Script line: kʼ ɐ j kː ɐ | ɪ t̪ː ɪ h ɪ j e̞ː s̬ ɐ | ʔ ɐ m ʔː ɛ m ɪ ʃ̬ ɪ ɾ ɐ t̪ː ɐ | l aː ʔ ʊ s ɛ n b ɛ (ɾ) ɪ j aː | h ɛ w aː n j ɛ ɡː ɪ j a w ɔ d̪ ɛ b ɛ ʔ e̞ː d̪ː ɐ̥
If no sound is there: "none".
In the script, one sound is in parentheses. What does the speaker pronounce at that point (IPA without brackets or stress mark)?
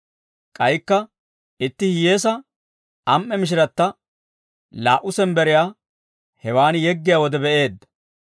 ɾ